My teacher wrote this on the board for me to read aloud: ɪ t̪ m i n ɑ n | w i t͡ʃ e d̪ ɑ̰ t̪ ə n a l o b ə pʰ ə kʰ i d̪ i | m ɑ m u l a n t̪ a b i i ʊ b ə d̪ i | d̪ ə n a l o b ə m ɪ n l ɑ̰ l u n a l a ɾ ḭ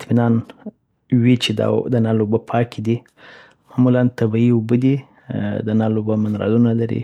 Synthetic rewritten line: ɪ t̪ m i n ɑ n | w i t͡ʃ e d̪ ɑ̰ d̪ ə n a l o b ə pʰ ɑ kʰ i d̪ i | m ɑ m u l a n t̪ a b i i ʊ b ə d̪ i | d̪ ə n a l o b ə m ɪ n ɾ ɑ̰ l u n a l a ɾ ḭ